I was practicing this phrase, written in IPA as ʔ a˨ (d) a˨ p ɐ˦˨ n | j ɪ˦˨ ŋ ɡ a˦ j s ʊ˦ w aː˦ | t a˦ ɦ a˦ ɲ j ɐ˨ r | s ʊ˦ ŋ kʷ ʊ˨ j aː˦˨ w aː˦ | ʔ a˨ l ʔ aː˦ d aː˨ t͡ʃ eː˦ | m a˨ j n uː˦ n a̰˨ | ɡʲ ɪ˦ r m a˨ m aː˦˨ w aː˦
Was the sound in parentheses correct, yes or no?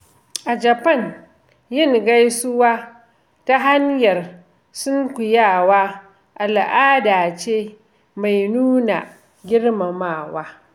no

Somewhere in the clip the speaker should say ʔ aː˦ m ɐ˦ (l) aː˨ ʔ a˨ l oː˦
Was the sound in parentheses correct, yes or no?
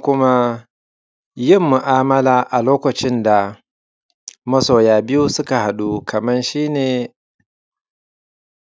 yes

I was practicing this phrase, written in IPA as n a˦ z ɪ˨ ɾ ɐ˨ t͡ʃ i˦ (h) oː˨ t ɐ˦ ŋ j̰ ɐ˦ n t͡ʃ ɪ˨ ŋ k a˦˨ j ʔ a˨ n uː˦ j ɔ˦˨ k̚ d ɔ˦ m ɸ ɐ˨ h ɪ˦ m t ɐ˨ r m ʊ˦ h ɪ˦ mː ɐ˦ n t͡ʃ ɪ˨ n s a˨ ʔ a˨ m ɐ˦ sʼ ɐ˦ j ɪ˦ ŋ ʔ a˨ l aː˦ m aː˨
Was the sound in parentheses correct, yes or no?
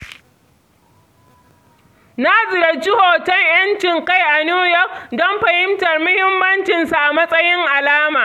yes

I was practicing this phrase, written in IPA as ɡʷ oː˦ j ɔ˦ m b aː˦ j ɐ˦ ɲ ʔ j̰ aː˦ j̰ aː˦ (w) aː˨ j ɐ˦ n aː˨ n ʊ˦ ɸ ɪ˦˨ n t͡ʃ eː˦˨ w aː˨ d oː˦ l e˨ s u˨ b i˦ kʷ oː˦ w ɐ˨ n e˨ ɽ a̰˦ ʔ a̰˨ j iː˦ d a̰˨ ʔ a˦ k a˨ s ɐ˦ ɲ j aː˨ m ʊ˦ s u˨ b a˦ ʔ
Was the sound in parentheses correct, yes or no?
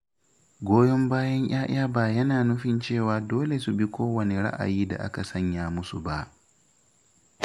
no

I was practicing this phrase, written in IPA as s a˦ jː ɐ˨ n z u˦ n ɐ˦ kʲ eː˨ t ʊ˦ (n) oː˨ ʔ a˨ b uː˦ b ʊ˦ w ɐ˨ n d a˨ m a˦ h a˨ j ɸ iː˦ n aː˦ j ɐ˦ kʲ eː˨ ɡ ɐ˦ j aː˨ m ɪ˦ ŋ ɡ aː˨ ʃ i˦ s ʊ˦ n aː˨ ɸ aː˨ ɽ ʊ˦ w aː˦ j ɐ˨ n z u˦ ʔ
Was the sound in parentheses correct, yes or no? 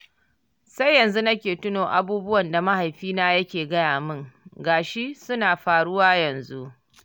yes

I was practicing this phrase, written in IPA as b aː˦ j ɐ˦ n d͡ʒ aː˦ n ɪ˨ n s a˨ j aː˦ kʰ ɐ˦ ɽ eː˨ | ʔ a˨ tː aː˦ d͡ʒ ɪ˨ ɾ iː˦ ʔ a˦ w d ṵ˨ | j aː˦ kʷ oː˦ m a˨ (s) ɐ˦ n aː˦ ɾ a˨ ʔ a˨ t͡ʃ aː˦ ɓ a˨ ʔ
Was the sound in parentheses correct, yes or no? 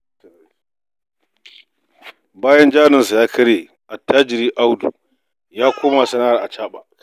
yes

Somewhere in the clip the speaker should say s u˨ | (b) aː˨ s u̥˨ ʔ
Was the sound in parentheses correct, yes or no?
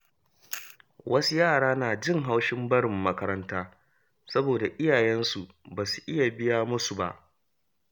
yes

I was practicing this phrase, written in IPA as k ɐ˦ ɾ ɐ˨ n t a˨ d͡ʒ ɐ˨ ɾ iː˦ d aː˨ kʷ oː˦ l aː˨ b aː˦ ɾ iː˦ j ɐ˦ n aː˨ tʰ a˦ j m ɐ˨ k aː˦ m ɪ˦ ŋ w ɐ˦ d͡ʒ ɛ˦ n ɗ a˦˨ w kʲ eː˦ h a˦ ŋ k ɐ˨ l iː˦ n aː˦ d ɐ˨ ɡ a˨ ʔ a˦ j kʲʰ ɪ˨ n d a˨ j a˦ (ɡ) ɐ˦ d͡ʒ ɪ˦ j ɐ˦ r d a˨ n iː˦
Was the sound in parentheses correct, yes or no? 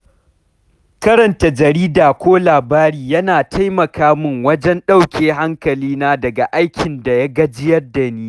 yes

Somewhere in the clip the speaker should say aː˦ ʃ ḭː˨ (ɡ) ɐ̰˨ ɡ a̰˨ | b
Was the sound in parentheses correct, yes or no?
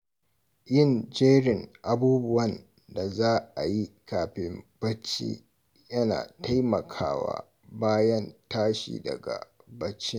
no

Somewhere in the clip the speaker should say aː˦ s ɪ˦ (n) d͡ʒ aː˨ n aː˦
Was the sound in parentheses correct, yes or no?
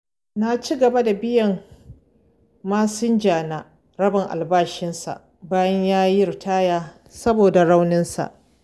yes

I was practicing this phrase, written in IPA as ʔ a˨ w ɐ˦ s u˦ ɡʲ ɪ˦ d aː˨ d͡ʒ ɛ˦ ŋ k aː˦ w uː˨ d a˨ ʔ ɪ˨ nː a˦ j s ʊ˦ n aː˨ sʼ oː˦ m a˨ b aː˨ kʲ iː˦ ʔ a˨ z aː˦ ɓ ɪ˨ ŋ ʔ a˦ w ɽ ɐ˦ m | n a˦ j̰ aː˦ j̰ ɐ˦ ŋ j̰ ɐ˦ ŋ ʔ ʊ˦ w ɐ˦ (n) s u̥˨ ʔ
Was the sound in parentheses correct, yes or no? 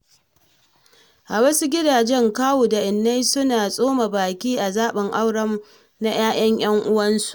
yes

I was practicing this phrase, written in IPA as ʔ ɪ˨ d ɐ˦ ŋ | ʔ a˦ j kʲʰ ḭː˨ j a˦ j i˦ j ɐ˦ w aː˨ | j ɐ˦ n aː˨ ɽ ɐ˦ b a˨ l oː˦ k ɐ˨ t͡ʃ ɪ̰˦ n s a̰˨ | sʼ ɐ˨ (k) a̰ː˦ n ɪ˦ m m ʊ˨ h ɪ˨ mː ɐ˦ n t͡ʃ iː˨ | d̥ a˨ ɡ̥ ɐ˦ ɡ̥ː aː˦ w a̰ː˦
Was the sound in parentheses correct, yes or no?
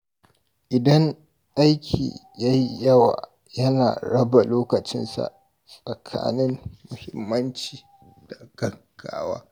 no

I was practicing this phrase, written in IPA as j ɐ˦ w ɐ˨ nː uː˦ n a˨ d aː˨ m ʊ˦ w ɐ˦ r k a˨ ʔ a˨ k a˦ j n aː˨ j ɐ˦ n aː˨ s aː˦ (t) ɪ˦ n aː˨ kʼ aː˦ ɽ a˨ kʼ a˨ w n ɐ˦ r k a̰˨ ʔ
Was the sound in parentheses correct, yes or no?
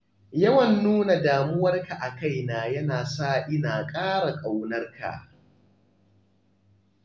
no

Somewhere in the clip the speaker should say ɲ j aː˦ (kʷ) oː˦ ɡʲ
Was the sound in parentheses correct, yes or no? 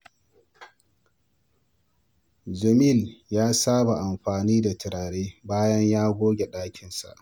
no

